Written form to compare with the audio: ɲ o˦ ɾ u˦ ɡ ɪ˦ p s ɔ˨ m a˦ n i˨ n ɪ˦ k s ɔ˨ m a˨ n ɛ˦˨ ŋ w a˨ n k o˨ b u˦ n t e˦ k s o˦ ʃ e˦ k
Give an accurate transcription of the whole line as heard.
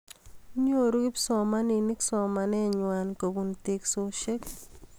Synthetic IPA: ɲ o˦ ɾ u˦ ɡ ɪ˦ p s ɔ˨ m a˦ n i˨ n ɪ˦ k s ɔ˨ m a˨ n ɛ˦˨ ɲ w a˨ n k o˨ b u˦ n t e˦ k s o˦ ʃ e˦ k